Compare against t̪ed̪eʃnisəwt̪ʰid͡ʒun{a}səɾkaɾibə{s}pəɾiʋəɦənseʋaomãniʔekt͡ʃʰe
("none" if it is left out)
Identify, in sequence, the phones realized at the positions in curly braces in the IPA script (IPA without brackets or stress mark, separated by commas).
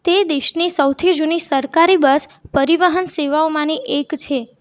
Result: i, s